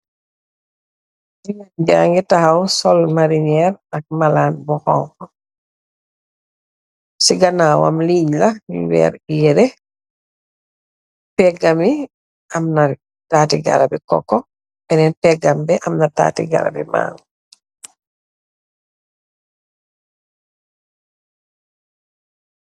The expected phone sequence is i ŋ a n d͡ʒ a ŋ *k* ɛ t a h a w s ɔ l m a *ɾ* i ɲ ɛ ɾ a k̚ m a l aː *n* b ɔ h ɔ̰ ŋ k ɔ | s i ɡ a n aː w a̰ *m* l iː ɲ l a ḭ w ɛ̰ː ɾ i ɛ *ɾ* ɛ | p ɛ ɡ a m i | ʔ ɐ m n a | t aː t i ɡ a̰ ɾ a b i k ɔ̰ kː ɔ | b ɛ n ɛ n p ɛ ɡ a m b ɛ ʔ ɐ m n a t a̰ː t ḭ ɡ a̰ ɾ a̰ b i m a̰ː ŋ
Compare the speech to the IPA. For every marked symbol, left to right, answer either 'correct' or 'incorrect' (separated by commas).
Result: incorrect, correct, correct, correct, correct